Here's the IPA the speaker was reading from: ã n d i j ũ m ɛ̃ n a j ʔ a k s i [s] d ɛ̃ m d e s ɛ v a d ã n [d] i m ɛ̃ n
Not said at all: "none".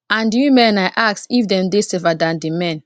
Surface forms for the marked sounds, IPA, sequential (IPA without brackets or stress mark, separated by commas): f, d